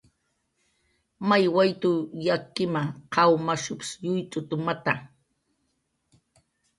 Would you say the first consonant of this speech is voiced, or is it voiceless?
voiced